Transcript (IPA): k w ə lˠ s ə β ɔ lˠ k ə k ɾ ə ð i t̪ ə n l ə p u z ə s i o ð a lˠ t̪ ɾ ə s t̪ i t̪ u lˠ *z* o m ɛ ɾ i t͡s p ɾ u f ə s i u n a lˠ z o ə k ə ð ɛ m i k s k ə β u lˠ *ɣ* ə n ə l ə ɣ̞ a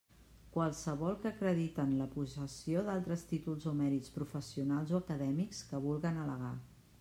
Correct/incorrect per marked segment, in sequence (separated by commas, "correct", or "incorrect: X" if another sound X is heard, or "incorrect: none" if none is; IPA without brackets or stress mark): correct, correct